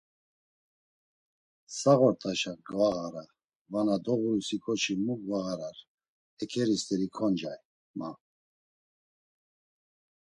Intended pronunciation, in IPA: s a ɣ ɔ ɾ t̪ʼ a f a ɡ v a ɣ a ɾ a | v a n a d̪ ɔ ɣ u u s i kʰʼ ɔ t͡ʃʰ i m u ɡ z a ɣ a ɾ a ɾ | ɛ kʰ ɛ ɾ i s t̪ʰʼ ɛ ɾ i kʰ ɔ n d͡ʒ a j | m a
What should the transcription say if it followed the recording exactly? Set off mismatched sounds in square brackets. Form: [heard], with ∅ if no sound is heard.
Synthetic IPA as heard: s a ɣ ɔ ɾ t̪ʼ a [ʃ] a ɡ v a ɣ a ɾ a | v a n a d̪ ɔ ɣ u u s i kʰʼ ɔ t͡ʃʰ i m u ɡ [v] a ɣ a ɾ a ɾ | ɛ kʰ ɛ ɾ i s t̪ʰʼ ɛ ɾ i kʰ ɔ n d͡ʒ a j | m a